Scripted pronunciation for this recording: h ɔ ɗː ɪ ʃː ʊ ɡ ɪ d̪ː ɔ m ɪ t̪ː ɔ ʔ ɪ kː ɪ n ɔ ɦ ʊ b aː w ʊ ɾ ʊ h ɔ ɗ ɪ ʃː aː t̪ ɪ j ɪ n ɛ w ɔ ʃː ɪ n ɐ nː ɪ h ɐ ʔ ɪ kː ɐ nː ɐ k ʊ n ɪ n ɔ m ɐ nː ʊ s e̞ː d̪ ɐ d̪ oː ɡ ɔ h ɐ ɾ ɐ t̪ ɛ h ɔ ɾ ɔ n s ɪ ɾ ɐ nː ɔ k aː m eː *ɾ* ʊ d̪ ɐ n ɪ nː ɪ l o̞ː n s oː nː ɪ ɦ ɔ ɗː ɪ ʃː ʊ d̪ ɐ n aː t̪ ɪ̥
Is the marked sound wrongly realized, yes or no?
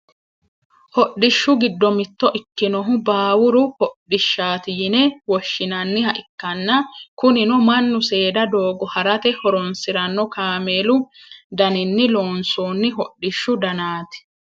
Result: yes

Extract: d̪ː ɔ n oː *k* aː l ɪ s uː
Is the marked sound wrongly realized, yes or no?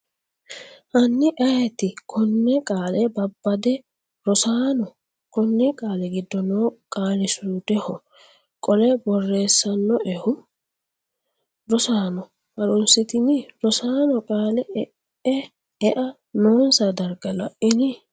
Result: yes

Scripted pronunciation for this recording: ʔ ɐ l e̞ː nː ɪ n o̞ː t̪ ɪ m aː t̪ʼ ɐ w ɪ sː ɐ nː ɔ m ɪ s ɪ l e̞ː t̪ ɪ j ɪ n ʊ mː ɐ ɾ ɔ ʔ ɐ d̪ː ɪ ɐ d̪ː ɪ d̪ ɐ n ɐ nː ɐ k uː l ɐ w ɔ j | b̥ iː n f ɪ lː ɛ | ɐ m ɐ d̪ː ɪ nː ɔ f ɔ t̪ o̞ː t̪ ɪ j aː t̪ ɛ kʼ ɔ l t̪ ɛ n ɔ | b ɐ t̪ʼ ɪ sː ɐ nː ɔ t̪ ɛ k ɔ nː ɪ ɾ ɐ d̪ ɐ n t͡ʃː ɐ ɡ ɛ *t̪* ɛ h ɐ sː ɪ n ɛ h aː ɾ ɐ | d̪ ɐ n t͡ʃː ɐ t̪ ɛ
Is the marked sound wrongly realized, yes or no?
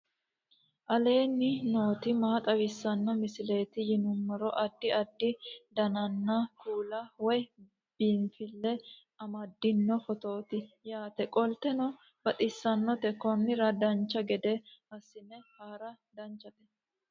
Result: yes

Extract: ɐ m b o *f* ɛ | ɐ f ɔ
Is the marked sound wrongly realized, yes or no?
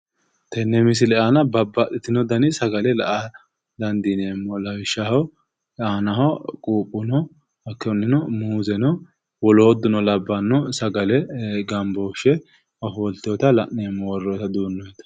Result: yes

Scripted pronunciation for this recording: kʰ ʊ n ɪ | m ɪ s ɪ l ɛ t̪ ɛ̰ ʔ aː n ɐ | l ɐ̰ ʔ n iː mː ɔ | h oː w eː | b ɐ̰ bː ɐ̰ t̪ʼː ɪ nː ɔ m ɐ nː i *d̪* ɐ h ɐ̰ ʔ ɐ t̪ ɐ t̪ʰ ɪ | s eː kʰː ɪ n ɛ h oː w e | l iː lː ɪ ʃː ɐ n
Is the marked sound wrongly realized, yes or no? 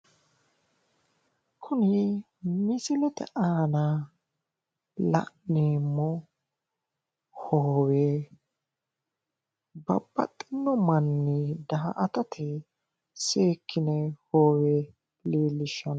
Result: no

